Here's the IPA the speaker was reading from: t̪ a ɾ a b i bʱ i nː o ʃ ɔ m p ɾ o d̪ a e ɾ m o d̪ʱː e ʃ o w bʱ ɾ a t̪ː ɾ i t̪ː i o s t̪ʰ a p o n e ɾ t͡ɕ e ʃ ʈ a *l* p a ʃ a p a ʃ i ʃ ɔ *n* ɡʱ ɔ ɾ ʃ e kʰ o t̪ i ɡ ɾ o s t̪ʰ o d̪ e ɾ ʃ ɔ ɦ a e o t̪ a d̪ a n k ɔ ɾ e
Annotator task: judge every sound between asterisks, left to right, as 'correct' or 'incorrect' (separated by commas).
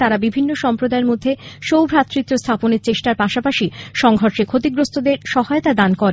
incorrect, incorrect